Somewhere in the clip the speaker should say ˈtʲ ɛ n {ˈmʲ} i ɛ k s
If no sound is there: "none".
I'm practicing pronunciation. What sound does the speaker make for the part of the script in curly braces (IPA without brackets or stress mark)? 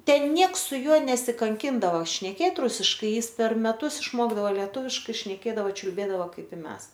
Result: nʲ